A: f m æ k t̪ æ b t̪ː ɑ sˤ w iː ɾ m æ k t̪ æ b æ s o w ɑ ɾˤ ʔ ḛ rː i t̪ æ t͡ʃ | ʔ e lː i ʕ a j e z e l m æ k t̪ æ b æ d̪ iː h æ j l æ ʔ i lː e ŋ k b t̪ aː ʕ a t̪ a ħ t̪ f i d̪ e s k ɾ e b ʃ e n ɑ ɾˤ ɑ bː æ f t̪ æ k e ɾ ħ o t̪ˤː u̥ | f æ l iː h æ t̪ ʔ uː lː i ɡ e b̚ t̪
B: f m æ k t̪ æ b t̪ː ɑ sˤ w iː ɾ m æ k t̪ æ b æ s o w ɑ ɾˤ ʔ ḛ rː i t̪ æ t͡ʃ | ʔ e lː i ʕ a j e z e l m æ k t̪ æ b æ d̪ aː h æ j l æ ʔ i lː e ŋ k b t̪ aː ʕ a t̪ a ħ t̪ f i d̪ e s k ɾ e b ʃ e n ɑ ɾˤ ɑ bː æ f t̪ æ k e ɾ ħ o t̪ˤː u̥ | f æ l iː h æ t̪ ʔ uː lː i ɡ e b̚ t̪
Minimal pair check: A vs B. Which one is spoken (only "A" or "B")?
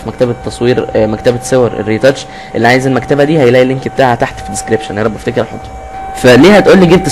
A